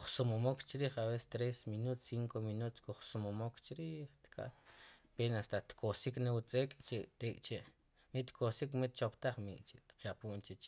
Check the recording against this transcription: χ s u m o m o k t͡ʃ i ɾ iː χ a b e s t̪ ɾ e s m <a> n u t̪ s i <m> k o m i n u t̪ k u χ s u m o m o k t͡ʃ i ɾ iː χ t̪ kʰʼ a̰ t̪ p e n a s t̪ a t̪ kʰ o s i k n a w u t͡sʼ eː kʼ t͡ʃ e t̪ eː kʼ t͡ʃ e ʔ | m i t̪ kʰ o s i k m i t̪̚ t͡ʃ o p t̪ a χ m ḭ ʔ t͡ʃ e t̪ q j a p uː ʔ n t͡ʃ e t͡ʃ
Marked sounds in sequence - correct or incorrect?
incorrect, incorrect

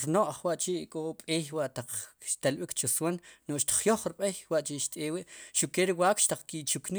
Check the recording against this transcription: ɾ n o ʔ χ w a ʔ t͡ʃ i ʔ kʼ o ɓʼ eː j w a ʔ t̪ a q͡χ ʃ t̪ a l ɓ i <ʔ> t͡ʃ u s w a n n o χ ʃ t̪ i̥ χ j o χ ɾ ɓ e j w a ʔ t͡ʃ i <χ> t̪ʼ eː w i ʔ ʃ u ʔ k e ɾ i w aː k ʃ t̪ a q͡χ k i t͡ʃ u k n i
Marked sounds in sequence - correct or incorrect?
incorrect, incorrect

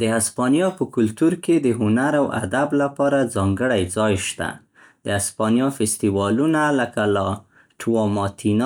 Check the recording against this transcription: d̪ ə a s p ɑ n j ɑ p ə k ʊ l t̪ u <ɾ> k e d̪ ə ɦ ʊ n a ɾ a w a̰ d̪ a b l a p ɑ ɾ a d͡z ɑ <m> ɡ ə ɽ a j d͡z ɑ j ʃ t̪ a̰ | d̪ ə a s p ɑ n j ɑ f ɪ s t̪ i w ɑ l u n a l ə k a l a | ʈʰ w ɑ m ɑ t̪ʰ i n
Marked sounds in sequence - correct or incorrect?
correct, incorrect

